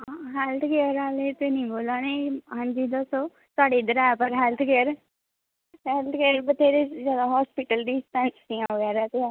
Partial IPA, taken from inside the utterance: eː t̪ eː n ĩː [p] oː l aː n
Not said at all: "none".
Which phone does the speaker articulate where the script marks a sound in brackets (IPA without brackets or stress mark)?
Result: b